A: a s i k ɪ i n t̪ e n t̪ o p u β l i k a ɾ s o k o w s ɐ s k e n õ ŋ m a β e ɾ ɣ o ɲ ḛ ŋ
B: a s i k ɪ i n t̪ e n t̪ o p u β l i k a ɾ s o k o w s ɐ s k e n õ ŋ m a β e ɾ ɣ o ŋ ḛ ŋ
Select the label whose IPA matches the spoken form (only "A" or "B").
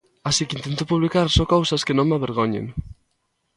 A